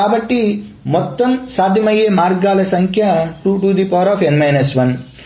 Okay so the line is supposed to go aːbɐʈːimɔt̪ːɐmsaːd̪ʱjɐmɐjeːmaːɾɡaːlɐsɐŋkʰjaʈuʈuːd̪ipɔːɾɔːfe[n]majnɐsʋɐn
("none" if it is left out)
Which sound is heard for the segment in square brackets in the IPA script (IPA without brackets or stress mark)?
n